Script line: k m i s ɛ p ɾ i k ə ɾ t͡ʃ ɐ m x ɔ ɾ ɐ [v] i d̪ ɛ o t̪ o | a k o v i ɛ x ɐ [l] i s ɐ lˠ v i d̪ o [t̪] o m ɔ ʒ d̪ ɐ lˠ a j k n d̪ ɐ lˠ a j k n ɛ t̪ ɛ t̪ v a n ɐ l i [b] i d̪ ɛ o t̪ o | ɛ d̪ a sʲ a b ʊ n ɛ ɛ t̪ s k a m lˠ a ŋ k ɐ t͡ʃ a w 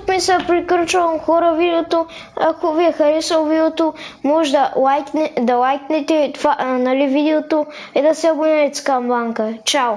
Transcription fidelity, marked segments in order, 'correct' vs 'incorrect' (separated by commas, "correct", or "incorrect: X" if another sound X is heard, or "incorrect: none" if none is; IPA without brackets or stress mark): correct, incorrect: ɾ, correct, incorrect: v